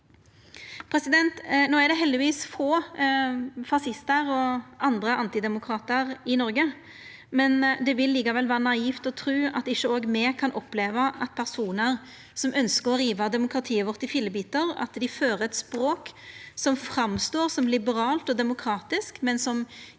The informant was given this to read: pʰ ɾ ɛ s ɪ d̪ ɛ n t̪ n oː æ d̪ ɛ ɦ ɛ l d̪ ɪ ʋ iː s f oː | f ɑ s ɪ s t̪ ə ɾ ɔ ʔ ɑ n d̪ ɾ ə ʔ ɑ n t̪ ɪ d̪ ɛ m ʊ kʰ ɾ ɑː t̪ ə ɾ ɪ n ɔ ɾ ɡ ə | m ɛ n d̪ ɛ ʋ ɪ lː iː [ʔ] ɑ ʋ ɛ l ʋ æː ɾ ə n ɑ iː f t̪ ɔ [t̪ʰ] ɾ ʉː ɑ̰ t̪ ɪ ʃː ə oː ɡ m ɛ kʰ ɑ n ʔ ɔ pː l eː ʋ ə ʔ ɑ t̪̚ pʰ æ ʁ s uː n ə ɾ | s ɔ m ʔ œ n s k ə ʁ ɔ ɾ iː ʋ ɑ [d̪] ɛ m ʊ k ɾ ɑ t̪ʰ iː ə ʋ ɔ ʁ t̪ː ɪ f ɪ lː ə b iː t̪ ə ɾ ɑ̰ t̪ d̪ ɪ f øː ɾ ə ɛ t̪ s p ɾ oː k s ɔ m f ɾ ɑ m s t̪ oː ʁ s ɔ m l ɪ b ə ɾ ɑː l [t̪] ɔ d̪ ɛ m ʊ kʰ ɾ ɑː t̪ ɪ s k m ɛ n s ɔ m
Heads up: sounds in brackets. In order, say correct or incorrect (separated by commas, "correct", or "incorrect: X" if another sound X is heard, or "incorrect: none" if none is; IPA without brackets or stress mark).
incorrect: k, correct, correct, correct